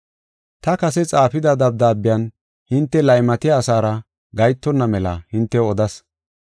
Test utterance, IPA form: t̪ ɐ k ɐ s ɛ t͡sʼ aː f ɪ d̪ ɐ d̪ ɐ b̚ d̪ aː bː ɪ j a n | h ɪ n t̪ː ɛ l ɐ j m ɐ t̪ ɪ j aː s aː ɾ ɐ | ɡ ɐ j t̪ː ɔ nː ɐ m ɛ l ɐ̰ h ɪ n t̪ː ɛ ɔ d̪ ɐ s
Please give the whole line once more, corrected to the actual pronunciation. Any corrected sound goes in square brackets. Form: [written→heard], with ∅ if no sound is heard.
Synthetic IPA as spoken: t̪ ɐ k ɐ s ɛ t͡sʼ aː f ɪ d̪ ɐ d̪ ɐ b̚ d̪ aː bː ɪ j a n | h ɪ n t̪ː ɛ l ɐ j m ɐ t̪ ɪ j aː s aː ɾ ɐ | ɡ ɐ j t̪ː ɔ nː ɐ m ɛ l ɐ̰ h ɪ n t̪ː ɛ ɔ d̪ ɐ s